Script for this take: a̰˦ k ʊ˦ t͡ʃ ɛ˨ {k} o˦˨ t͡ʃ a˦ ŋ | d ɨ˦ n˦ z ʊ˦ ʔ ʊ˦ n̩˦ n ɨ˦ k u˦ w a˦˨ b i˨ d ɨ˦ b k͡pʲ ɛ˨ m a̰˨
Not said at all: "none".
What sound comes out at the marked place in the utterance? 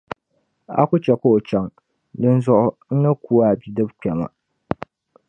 k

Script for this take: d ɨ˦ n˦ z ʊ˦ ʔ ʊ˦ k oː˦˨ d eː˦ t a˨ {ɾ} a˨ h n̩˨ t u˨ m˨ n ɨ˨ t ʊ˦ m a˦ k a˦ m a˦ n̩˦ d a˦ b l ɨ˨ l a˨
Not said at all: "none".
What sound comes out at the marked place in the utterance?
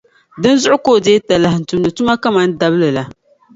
l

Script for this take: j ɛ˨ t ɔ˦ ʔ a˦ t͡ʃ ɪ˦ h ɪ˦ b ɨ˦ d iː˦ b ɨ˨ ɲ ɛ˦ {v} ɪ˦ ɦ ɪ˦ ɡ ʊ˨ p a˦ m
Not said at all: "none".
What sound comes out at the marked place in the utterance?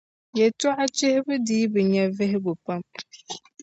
v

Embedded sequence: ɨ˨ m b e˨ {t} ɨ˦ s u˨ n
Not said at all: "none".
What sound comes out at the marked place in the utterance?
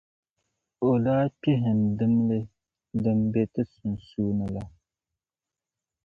t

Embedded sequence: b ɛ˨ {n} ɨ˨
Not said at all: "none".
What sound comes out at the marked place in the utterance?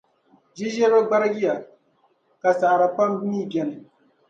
n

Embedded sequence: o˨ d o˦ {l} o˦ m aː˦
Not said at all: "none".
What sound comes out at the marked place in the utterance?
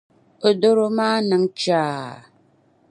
ɾ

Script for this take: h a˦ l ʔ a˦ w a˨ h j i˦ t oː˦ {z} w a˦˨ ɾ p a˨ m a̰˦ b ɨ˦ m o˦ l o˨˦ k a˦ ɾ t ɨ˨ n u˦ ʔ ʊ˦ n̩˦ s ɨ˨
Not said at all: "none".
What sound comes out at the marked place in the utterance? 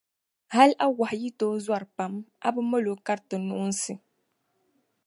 z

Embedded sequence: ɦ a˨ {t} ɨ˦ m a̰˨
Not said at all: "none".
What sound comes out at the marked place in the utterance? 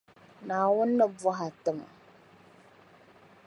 t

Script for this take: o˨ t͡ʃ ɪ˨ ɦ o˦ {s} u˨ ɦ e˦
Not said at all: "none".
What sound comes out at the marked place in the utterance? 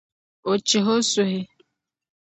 s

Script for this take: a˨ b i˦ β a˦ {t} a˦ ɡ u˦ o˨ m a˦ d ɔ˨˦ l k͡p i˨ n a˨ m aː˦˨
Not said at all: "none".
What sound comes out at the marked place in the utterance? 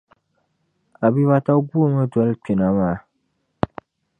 t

